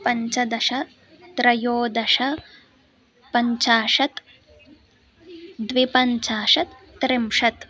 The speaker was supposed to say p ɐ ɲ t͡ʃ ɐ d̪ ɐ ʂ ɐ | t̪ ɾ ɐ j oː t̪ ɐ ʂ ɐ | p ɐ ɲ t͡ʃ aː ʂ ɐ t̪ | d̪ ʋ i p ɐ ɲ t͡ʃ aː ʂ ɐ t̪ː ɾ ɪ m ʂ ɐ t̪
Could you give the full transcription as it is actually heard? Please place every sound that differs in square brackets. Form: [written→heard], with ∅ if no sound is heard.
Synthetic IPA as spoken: p ɐ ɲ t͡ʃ ɐ d̪ ɐ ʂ ɐ | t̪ ɾ ɐ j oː [t̪→d̪] ɐ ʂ ɐ | p ɐ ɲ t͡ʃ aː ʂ ɐ t̪ | d̪ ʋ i p ɐ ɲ t͡ʃ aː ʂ ɐ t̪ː ɾ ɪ m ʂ ɐ t̪